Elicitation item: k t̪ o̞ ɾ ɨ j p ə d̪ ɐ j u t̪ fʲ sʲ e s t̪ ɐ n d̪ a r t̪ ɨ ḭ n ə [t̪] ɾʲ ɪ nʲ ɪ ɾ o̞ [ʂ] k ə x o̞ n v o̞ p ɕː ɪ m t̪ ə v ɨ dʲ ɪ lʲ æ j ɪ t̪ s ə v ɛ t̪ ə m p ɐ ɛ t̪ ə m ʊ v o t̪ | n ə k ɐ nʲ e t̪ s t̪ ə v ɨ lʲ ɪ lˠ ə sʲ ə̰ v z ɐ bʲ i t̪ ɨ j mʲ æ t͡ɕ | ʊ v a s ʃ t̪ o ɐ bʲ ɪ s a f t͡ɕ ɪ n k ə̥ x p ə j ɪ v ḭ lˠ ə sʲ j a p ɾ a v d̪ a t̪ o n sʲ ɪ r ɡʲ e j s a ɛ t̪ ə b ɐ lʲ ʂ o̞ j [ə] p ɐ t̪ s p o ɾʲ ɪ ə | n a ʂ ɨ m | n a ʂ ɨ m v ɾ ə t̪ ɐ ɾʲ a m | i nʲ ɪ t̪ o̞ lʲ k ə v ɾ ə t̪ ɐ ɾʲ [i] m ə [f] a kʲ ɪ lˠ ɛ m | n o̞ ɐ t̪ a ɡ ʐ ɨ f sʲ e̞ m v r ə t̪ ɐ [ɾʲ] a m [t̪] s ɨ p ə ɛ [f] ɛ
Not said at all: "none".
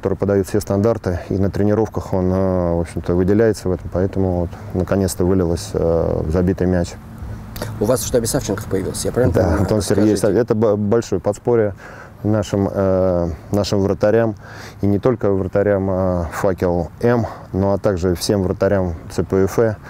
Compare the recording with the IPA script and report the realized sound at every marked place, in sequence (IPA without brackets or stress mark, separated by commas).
t̪, f, ə, a, f, ɾʲ, t̪, f